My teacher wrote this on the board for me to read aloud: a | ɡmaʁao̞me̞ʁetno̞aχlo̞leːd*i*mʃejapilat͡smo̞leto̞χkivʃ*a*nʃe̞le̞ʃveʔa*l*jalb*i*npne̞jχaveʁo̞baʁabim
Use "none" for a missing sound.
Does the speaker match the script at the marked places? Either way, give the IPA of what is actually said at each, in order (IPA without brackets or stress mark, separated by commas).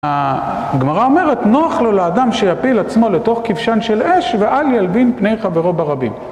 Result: a, a, l, i